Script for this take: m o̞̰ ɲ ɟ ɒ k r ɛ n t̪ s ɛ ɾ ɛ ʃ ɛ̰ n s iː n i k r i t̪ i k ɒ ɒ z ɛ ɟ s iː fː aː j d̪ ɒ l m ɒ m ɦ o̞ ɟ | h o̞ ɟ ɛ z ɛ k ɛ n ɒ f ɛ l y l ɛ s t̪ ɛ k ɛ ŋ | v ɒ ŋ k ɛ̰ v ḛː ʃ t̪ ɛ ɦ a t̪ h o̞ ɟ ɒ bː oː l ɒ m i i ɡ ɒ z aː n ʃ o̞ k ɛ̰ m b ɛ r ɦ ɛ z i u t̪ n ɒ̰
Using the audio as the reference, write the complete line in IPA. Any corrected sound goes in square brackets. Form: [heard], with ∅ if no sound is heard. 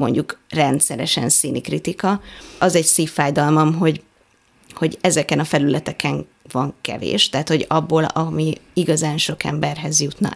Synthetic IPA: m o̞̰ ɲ ɟ [u] k r ɛ n t̪ s ɛ ɾ ɛ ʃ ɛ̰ n s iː n i k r i t̪ i k ɒ ɒ z ɛ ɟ s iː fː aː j d̪ ɒ l m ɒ m ɦ o̞ ɟ | h o̞ ɟ ɛ z ɛ k ɛ n ɒ f ɛ l y l ɛ [∅] t̪ ɛ k ɛ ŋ | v ɒ ŋ k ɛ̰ v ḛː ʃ t̪ ɛ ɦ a t̪ h o̞ ɟ ɒ bː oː l ɒ m i i ɡ ɒ z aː n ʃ o̞ k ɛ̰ m b ɛ r ɦ ɛ z [j] u t̪ n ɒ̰